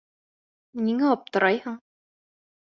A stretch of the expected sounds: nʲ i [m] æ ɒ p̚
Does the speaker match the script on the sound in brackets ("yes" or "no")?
no